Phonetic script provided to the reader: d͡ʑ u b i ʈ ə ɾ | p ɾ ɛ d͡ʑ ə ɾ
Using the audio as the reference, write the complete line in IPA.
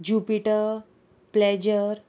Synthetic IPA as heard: d͡ʑ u p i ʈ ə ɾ | p l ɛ d͡ʑ ə ɾ